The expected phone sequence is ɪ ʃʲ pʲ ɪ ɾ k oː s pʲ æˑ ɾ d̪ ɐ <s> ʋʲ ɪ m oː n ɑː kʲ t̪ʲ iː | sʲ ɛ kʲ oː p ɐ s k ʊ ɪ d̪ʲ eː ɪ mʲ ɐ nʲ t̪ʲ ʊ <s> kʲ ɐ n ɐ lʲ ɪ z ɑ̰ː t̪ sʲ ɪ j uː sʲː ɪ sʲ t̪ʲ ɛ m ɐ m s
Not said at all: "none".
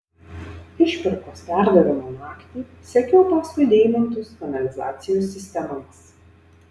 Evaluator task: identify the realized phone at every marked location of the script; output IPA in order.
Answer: none, s

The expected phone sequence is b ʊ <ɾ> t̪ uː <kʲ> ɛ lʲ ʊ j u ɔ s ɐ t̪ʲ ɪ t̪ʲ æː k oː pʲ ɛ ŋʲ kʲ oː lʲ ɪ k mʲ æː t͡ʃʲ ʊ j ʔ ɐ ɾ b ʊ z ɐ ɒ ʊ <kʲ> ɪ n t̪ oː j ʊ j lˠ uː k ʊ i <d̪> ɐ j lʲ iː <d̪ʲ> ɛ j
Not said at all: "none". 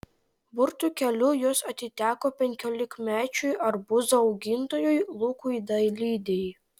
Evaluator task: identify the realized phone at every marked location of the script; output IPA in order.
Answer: ɾ, kʲ, ɡʲ, d̪, d̪ʲ

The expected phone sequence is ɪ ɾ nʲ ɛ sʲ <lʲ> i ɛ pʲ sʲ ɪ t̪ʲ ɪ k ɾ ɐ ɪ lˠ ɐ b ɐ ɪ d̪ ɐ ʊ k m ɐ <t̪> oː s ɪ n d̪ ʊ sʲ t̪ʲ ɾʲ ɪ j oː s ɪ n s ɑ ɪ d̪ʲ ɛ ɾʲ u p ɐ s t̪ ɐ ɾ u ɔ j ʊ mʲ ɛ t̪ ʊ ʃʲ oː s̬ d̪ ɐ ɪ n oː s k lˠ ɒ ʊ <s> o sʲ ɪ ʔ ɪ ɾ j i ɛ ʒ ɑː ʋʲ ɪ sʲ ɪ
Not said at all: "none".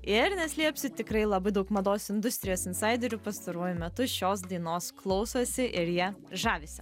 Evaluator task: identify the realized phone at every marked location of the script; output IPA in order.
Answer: lʲ, d̪, s

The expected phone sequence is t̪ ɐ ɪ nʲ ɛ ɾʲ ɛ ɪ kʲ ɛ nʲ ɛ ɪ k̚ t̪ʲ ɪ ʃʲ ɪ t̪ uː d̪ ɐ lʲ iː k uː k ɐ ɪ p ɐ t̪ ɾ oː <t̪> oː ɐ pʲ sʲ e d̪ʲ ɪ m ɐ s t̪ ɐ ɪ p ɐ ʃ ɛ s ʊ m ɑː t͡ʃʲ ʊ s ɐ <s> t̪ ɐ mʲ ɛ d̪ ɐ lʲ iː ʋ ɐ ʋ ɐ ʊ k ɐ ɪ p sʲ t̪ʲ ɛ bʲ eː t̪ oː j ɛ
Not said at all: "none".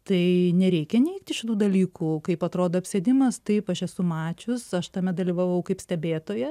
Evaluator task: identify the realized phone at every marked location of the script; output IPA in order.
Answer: d̪, ʃ

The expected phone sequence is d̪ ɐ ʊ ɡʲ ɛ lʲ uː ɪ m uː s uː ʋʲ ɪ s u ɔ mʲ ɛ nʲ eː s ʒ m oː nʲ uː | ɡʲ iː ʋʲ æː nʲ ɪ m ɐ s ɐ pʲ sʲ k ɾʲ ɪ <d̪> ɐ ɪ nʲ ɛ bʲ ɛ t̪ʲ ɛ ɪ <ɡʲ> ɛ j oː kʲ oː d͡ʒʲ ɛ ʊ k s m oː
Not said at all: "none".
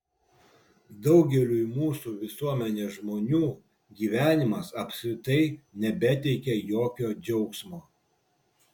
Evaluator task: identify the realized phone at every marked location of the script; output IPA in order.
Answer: t̪, kʲ

